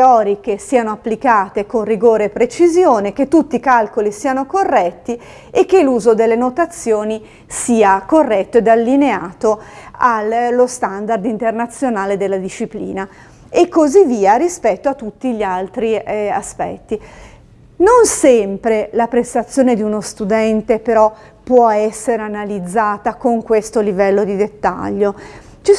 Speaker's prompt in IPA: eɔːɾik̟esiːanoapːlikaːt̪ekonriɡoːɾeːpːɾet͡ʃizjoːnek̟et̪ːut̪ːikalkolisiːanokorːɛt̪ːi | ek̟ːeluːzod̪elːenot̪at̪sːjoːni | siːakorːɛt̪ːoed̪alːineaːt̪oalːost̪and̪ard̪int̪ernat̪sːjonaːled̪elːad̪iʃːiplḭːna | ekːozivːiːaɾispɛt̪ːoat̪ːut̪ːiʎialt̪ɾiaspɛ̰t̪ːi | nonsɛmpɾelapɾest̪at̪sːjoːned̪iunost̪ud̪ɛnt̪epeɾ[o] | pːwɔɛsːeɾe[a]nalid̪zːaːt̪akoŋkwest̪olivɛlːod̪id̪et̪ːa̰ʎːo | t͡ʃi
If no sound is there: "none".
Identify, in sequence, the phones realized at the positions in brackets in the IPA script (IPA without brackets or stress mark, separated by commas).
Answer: ɔ, a